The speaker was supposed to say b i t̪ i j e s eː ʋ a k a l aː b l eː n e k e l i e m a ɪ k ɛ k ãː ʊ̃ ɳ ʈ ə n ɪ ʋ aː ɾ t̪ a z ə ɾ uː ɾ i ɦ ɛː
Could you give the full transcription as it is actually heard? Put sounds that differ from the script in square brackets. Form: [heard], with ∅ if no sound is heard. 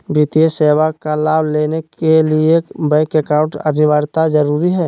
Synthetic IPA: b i t̪ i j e s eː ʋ a k a l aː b l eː n e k e l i e [b] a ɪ k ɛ k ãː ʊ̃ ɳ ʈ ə n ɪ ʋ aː ɾ t̪ a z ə ɾ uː ɾ i ɦ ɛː